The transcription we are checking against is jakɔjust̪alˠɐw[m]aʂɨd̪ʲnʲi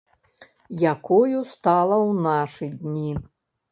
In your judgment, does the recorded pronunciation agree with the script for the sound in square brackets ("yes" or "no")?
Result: no